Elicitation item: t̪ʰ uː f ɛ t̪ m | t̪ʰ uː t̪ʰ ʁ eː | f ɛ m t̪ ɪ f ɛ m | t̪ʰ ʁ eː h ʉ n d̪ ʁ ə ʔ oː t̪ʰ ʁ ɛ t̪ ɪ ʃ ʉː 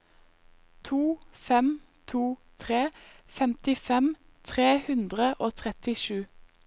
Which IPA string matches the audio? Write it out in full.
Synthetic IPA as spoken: t̪ʰ uː f ɛ m | t̪ʰ uː t̪ʰ ʁ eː | f ɛ m t̪ ɪ f ɛ m | t̪ʰ ʁ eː h ʉ n d̪ ʁ ə ʔ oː t̪ʰ ʁ ɛ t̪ ɪ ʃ ʉː